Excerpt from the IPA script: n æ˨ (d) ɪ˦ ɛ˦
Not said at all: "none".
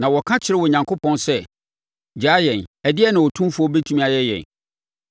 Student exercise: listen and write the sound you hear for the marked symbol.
d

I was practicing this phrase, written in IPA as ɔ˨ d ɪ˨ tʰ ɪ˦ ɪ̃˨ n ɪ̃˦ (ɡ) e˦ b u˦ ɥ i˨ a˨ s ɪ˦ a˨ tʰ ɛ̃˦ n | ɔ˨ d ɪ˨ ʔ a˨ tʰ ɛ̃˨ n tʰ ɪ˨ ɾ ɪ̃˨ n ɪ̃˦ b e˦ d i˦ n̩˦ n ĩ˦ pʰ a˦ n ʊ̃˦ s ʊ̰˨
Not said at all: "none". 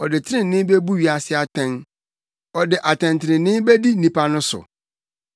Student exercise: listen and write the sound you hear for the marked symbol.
b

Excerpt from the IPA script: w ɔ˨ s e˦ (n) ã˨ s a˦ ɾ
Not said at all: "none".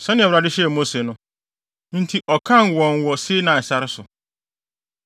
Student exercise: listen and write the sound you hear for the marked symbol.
n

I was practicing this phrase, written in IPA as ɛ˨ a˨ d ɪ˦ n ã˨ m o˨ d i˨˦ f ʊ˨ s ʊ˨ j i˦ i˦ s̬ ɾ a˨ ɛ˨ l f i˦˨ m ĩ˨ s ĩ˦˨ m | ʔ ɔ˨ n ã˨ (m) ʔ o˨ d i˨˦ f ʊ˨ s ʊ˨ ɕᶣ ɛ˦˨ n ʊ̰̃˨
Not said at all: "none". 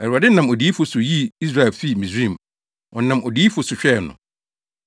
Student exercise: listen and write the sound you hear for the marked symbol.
m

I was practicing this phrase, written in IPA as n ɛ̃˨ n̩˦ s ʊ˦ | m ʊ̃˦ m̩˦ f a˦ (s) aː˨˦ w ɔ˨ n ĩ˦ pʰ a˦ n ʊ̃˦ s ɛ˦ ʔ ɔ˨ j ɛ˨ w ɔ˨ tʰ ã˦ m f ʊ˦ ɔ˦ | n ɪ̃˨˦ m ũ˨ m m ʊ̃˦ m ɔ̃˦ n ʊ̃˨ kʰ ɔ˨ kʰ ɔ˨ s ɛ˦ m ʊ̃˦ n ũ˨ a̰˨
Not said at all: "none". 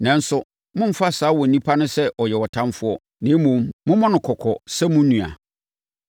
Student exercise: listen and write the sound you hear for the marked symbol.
s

